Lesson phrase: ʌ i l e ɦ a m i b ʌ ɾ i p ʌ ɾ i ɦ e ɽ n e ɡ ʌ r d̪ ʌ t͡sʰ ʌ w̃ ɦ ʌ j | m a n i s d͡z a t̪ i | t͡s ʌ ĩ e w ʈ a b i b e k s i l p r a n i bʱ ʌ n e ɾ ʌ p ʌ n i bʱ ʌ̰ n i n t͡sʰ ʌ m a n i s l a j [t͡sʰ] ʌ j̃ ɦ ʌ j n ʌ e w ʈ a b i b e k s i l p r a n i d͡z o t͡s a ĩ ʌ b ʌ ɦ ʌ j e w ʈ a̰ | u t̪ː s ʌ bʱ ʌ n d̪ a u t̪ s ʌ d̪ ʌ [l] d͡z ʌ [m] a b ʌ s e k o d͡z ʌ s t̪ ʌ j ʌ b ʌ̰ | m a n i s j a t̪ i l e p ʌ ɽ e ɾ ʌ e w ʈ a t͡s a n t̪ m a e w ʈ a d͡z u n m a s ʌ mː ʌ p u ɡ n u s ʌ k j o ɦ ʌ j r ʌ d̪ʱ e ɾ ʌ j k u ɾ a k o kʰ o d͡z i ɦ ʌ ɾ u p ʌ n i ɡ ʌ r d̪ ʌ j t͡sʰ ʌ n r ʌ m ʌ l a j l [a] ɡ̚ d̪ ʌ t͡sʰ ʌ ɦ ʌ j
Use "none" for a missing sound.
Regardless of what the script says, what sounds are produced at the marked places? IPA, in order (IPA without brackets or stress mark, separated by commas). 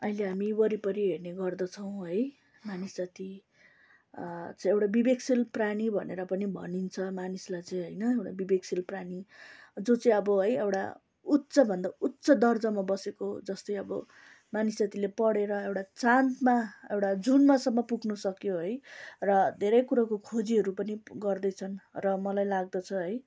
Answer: t͡s, r, m, a